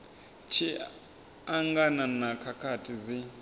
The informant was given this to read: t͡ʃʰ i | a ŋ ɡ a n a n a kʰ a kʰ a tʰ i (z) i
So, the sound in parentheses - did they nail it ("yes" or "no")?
yes